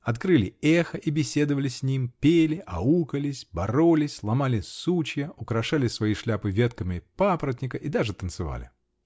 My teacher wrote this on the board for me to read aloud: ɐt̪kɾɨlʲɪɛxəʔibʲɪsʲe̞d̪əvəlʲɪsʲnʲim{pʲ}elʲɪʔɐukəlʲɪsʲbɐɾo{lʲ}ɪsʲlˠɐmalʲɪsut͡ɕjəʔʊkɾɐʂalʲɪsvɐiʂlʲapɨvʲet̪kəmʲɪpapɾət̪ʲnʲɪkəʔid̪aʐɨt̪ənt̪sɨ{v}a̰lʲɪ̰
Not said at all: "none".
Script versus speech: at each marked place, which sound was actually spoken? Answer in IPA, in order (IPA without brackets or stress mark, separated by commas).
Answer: pʲ, lʲ, v